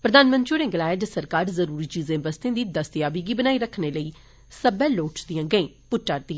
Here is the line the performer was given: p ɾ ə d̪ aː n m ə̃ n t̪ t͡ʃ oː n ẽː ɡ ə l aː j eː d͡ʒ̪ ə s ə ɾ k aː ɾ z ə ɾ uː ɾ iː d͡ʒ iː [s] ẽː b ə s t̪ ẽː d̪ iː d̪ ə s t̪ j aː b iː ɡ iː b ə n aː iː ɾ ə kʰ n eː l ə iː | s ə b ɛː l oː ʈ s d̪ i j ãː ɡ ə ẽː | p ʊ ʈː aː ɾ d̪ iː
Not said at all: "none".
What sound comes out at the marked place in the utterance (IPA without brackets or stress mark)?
z